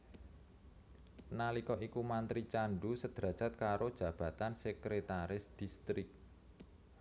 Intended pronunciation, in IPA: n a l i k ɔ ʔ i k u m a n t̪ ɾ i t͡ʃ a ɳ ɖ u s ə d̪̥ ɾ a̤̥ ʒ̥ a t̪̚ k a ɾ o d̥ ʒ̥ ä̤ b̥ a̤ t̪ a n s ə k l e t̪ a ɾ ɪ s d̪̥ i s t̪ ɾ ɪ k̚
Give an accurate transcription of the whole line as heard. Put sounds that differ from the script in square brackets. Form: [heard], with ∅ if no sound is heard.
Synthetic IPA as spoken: n a l i k ɔ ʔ i k u m a n t̪ ɾ i t͡ʃ a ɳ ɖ u s ə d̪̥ ɾ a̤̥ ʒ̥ a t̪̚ k a ɾ o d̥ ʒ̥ ä̤ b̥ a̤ t̪ a n s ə k [ɾ] e t̪ a ɾ ɪ s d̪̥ i s t̪ ɾ ɪ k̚